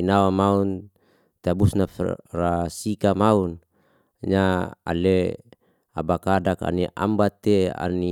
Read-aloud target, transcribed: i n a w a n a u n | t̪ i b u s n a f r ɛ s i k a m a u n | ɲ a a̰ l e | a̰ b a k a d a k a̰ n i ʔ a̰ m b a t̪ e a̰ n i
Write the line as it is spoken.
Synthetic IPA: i n a w a m a u n | t̪ a b u s n a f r a s i k a m a u n | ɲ a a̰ l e | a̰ b a k a d a k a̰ n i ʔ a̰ m b a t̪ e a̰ n i